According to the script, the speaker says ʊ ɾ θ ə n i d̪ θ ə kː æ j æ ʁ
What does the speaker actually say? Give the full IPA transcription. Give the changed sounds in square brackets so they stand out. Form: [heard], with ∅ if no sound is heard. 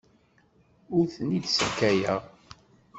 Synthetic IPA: ʊ ɾ θ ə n i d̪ [s] ə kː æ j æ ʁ